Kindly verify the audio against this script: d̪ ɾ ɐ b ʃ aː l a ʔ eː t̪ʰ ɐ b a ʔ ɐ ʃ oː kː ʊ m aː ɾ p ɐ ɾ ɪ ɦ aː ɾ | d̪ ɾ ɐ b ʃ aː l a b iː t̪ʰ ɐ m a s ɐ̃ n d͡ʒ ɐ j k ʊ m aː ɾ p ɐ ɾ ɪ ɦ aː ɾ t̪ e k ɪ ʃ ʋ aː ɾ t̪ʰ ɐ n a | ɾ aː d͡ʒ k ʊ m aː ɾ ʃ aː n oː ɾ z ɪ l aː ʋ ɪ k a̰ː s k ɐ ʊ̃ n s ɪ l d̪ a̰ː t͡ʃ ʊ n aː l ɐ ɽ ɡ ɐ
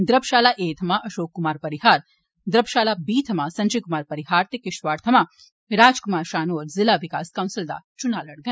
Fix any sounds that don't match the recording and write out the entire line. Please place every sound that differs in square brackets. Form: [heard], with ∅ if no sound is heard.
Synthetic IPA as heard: d̪ ɾ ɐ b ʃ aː l a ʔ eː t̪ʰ ɐ [m] a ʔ ɐ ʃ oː kː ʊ m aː ɾ p ɐ ɾ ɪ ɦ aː ɾ | d̪ ɾ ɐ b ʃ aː l a b iː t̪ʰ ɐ m a s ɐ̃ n d͡ʒ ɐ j k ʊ m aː ɾ p ɐ ɾ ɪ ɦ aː ɾ t̪ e k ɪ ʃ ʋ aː ɾ t̪ʰ ɐ [m] a | ɾ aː d͡ʒ k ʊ m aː ɾ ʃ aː n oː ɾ z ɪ l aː ʋ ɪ k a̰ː s k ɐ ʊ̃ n s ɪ l d̪ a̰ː t͡ʃ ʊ n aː l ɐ ɽ ɡ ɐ